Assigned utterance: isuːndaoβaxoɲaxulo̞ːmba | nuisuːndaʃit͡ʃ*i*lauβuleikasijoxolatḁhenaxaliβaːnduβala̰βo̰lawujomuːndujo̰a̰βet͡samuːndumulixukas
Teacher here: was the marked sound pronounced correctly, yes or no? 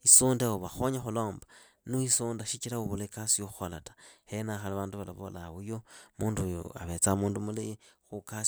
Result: yes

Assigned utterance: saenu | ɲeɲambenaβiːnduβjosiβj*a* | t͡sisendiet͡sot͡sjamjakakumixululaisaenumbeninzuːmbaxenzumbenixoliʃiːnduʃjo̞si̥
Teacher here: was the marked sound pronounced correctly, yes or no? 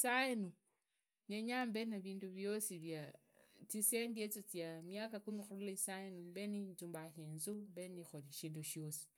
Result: yes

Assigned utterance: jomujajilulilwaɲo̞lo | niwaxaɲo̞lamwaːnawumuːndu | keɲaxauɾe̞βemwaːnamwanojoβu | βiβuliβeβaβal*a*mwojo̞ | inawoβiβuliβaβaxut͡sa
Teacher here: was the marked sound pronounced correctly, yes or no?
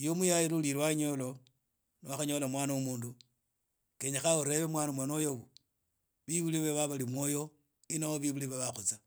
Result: no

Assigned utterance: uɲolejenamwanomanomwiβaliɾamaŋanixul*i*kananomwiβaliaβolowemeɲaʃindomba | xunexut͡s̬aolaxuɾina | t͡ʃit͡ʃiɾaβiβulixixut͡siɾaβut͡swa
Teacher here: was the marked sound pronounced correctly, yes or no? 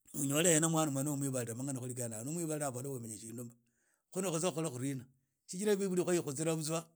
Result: yes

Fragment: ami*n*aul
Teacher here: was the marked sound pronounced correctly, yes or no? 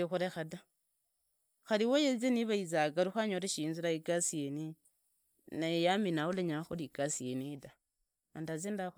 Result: yes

